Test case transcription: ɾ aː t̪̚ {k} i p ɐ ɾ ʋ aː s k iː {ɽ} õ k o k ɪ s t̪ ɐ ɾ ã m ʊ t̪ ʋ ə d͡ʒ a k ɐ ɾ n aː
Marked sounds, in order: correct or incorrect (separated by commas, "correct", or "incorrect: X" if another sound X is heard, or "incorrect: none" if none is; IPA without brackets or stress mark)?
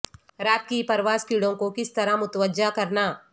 correct, correct